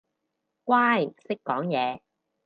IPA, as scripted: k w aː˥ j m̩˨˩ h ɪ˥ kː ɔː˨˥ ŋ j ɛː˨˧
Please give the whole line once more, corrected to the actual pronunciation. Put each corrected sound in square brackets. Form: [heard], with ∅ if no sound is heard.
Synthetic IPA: k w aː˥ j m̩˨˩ [s] ɪ˥ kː ɔː˨˥ ŋ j ɛː˨˧